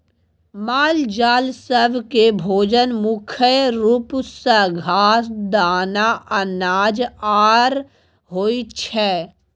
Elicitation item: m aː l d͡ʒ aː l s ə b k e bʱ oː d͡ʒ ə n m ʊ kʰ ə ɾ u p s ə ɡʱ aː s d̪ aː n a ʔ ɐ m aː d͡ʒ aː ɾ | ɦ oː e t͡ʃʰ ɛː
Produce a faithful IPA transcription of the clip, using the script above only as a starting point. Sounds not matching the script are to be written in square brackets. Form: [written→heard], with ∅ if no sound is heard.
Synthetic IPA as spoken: m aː l d͡ʒ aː l s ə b k e bʱ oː d͡ʒ ə n m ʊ kʰ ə ɾ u p s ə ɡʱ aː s d̪ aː n a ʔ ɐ [m→n] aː d͡ʒ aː ɾ | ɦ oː [e→i] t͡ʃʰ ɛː

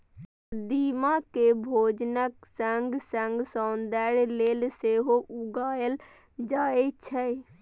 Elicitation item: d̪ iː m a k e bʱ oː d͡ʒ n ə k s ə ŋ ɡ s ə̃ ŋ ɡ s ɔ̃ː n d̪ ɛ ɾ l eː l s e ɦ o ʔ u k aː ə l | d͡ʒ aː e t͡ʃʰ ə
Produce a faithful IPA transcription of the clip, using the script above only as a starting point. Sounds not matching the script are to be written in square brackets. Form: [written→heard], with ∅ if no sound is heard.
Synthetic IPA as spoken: d̪ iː m a k e bʱ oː d͡ʒ n ə k s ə ŋ ɡ s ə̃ ŋ ɡ s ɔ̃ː n d̪ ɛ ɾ l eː l s e ɦ o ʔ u [k→ɡ] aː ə l | d͡ʒ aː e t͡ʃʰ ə

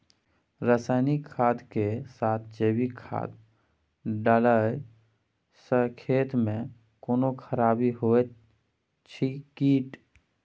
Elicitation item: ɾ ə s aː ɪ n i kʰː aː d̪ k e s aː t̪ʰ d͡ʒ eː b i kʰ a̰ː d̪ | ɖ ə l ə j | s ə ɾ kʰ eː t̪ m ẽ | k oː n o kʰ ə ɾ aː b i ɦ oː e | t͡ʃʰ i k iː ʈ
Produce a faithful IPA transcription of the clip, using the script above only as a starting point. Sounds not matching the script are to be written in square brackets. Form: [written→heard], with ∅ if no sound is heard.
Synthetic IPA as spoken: ɾ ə s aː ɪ n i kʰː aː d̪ k e s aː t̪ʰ d͡ʒ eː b i kʰ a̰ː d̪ | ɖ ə l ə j | s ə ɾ kʰ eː t̪ m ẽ | k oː n o kʰ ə ɾ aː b i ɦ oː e | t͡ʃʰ i k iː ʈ

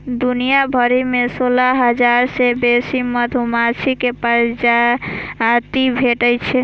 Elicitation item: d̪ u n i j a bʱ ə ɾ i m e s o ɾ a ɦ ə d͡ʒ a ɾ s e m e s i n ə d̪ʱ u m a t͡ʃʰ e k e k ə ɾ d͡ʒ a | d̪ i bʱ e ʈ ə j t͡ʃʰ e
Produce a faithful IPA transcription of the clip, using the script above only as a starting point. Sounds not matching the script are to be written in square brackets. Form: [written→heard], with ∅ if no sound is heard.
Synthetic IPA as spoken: d̪ u n i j a bʱ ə ɾ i m e s o [ɾ→l] a ɦ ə d͡ʒ a ɾ s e [m→b] e s i [n→m] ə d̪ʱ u m a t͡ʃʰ [e→i] k e [k→p] ə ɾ d͡ʒ a | [d̪→t̪] i bʱ e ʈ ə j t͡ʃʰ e

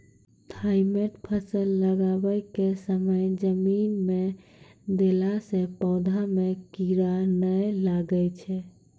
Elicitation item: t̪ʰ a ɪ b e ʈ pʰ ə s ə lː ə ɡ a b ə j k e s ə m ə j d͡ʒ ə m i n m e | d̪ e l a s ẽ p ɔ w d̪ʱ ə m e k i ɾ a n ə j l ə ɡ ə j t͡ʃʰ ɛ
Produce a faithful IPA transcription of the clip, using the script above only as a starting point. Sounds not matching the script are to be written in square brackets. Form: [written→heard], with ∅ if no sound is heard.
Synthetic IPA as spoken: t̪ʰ a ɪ [b→m] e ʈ pʰ ə s ə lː ə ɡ a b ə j k e s ə m ə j d͡ʒ ə m i n m e | d̪ e l a s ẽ p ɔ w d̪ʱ [ə→a] m e k i ɾ a n ə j l [ə→a] ɡ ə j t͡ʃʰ ɛ

